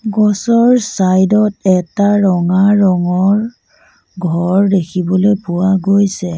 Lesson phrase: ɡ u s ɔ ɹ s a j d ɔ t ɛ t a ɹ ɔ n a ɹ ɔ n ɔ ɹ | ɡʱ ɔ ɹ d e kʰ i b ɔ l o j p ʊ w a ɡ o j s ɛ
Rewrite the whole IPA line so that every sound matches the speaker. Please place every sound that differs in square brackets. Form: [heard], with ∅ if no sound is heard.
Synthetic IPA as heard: ɡ [ɔ] s ɔ ɹ s a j d ɔ t ɛ t a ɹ ɔ [ŋ] a ɹ ɔ [ŋ] ɔ ɹ | ɡʱ ɔ ɹ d e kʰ i b ɔ l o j p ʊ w a ɡ o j s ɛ